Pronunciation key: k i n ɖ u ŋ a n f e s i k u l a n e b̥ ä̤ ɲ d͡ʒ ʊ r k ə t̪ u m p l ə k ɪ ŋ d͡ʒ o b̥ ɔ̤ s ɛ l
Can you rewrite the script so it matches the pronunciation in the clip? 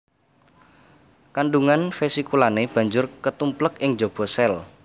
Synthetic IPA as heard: k a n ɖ u ŋ a n f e s i k u l a n e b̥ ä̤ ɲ d͡ʒ ʊ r k ə t̪ u m p l ə k ɪ ŋ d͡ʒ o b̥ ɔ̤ s ɛ l

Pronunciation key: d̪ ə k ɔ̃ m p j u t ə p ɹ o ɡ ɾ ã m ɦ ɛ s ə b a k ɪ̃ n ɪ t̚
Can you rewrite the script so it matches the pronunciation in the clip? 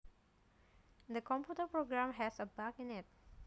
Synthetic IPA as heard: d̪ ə k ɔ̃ m p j u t ə p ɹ o ɡ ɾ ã m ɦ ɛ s ə b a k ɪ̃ n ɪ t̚

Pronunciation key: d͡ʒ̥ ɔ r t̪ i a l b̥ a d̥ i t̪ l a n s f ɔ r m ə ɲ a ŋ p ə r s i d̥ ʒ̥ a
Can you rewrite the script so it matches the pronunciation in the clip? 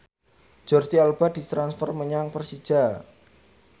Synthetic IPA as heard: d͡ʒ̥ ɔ r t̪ i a l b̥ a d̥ i t̪ ɾ a n s f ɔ r m ə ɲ a ŋ p ə r s i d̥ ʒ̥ a

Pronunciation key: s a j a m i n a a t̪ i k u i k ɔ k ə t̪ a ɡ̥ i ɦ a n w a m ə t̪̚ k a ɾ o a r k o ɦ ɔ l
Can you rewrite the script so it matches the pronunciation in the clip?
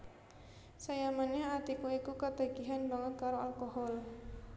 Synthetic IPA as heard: s a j a m a n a a t̪ i k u i k u k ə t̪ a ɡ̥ i ɦ a n b a ŋ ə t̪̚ k a ɾ o a l k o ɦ ɔ l

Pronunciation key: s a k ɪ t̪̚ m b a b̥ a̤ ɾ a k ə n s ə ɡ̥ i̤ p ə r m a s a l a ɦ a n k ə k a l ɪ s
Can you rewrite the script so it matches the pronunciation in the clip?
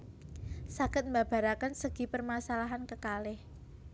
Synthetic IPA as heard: s a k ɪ t̪̚ m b a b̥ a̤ ɾ a k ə n s ə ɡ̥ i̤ p ə r m a s a l a ɦ a n k ə k a l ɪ h

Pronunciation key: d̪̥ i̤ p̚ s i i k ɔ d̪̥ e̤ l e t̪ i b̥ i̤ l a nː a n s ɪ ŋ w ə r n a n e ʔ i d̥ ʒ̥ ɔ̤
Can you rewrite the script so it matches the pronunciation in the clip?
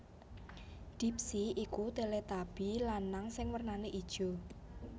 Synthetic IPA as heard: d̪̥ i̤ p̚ s i i k u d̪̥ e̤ l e t̪ a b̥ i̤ l a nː a ŋ s ɪ ŋ w ə r n a n e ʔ i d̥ ʒ̥ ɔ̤

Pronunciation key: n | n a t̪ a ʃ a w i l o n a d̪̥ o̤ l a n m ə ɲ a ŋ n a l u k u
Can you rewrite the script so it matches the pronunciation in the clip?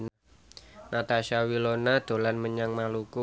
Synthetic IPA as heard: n | n a t̪ a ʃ a w i l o n a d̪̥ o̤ l a n m ə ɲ a ŋ m a l u k u

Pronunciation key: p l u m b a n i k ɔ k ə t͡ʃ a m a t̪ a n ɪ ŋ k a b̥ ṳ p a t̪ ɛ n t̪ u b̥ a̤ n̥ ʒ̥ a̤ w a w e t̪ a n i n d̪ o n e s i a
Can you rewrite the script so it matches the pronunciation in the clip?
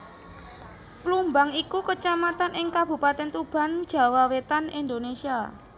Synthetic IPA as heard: p l u m b a ŋ i k u k ə t͡ʃ a m a t̪ a n ɪ ŋ k a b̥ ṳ p a t̪ ɛ n t̪ u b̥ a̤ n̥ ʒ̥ a̤ w a w e t̪ a n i n d̪ o n e s i a

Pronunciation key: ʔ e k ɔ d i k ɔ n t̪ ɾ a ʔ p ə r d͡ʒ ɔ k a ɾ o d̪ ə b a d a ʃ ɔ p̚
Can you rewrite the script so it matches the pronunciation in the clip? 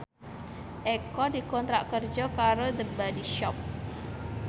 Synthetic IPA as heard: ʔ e k ɔ d i k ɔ n t̪ ɾ a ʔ k ə r d͡ʒ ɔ k a ɾ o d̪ ə b a d i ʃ ɔ p̚

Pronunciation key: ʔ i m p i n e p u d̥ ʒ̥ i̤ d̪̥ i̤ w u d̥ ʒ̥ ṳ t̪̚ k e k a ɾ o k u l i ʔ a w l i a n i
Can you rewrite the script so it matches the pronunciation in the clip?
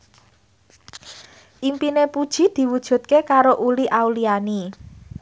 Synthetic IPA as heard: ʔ i m p i n e p u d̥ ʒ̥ i̤ d̪̥ i̤ w u d̥ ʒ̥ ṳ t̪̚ k e k a ɾ o ʔ u l i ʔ a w l i a n i

